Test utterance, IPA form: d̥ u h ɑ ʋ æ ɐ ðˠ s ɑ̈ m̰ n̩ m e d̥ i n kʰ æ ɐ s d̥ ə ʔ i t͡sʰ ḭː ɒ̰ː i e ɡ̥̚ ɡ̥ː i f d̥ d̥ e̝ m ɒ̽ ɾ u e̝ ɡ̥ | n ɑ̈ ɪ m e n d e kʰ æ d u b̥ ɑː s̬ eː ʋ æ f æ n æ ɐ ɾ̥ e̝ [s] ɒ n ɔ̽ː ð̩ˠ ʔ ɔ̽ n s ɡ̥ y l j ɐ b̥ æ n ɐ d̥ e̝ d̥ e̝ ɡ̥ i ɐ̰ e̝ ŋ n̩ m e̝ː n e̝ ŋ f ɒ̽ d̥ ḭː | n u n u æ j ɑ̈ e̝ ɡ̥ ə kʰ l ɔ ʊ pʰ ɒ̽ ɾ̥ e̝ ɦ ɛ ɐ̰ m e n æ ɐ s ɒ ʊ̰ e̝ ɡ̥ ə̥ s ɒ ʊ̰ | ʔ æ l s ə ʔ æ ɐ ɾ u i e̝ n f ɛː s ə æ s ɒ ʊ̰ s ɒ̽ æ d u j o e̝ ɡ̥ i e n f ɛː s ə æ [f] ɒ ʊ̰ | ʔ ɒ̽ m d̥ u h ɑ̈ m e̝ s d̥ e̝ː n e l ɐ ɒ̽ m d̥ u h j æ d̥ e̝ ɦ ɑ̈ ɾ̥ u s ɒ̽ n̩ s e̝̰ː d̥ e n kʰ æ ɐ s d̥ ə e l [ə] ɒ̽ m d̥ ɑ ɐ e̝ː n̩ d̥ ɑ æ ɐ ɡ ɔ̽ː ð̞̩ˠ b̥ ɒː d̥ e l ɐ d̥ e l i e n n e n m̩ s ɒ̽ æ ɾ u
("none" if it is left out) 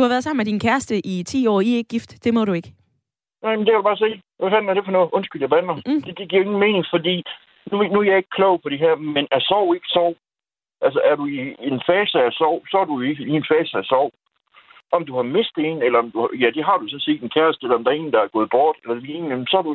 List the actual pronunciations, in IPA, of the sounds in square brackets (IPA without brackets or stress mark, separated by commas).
f, s, ɐ